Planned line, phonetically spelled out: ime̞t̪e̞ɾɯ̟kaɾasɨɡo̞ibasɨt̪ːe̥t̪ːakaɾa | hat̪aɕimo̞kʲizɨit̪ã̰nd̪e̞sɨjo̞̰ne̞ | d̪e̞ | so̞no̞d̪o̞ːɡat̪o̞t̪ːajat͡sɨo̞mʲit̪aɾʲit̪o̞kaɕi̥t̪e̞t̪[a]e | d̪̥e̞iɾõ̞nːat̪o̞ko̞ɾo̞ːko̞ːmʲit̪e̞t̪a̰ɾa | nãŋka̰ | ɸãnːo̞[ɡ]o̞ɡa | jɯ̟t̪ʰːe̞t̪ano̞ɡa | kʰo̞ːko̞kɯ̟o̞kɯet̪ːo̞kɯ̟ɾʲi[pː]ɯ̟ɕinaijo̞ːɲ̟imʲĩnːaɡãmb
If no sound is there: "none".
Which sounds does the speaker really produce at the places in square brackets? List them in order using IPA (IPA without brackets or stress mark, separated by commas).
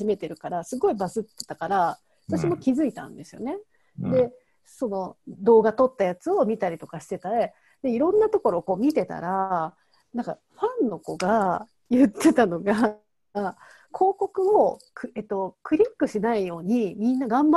a, k, kː